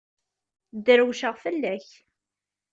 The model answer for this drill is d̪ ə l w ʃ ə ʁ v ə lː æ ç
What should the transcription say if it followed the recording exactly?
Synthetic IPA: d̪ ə ɾ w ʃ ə ʁ f ə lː æ ç